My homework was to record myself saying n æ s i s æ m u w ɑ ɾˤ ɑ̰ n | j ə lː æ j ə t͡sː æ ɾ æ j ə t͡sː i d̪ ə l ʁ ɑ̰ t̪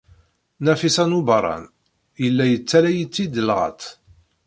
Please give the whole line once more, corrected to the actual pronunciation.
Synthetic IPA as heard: n æ f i s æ n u b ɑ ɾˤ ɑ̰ n | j ə lː æ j ə t͡sː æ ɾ æ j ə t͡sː i d̪ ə l ʁ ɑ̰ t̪